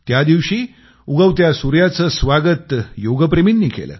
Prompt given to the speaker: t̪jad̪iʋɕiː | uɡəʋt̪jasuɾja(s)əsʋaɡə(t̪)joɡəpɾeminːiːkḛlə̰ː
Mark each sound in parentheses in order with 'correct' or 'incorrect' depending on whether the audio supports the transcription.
incorrect: t͡s, correct

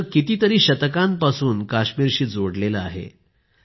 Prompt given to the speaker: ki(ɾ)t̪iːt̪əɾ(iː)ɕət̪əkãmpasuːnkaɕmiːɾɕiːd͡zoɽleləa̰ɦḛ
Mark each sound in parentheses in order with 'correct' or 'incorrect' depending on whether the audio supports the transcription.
incorrect: none, correct

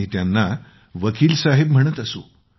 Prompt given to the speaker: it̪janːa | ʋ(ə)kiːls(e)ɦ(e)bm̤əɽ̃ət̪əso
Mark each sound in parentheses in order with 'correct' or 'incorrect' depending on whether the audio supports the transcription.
correct, incorrect: a, correct

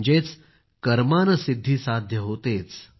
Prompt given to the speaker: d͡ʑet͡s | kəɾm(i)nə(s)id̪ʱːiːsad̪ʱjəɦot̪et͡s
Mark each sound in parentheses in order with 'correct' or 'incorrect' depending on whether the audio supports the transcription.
incorrect: a, correct

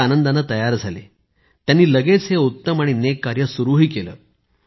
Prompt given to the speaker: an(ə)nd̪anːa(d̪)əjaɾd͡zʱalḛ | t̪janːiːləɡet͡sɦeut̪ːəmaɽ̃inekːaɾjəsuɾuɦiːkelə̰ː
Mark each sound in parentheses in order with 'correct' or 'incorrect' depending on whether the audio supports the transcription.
correct, incorrect: t̪

